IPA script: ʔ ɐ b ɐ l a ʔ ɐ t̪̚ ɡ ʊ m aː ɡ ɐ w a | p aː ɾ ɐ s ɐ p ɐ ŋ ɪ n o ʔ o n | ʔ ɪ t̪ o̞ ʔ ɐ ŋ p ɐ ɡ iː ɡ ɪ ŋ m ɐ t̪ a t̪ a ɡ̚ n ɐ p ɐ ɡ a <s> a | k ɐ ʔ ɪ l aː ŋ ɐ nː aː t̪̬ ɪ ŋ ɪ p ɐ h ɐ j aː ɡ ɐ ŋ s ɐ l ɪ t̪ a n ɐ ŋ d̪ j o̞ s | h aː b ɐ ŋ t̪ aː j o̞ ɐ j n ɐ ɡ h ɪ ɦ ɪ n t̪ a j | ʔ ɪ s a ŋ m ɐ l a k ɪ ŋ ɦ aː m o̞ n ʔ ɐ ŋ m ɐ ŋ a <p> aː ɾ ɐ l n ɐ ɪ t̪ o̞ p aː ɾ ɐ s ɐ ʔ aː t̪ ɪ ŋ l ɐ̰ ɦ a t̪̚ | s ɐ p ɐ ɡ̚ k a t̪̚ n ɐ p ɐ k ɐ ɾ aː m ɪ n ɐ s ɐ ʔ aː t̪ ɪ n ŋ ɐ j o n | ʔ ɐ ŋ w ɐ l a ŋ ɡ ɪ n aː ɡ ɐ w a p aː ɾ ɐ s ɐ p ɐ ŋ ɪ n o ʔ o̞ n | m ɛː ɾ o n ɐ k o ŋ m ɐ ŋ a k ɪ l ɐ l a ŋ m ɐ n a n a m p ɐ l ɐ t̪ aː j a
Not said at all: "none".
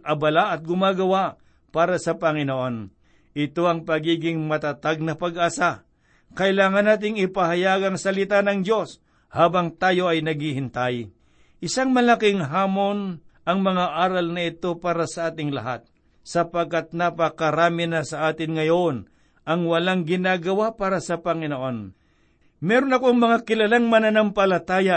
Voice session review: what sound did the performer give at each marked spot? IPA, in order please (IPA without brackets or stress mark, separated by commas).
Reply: s, ʔ